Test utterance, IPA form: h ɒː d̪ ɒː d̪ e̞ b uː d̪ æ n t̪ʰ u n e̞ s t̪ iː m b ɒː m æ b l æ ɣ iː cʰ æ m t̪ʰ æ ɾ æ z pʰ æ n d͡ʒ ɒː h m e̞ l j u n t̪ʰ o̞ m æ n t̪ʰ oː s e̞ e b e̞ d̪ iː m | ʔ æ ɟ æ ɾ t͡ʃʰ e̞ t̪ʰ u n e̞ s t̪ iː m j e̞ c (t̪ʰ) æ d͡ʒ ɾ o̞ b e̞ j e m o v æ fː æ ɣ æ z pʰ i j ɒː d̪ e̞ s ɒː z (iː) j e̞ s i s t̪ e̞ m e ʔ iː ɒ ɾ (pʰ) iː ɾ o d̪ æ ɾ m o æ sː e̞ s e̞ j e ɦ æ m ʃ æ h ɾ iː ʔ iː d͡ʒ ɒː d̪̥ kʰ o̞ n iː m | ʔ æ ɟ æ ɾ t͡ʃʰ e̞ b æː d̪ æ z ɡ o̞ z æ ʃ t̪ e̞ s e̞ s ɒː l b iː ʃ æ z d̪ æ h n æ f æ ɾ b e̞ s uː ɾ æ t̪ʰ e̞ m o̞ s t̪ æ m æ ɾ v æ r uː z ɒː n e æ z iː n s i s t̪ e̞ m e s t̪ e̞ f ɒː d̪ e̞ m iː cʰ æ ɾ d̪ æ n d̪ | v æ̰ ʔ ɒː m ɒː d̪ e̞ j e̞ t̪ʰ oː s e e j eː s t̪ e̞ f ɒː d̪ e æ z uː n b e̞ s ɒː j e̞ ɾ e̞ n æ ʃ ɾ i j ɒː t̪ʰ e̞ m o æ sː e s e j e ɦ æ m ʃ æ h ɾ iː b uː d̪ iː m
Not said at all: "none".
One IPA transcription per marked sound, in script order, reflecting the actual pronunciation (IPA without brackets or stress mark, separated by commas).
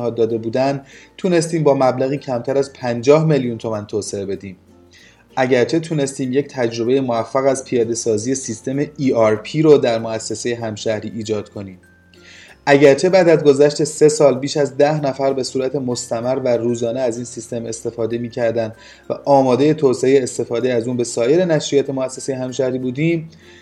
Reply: t̪ʰ, i, pʰ